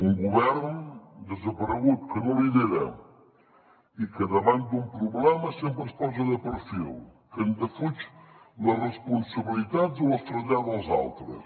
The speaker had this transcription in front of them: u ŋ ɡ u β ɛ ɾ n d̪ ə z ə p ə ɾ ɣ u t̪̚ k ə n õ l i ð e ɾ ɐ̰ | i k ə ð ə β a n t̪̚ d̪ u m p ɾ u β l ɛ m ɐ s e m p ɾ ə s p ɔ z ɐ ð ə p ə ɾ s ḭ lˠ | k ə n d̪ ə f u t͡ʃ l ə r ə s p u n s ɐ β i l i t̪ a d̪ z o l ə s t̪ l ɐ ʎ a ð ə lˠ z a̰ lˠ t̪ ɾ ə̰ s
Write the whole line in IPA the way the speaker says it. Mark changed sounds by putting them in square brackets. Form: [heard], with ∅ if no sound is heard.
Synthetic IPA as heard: u ŋ ɡ u β ɛ ɾ n d̪ ə z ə p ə ɾ ɣ u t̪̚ k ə n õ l i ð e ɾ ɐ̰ | i k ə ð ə β a n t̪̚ d̪ u m p ɾ u β l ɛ m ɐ s e m p ɾ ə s p ɔ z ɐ ð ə p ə ɾ [f] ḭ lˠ | k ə n d̪ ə f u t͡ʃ l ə r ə s p u n s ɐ β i l i t̪ a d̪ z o l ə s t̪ [ɾ] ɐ ʎ a ð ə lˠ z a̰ lˠ t̪ ɾ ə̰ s